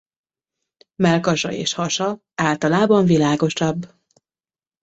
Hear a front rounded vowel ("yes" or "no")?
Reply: no